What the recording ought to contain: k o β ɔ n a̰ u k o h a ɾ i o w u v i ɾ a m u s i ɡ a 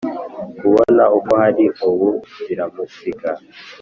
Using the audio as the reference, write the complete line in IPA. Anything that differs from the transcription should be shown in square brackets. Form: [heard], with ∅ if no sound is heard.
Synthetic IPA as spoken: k [u] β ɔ n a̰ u k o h a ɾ i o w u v i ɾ a m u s i [k] a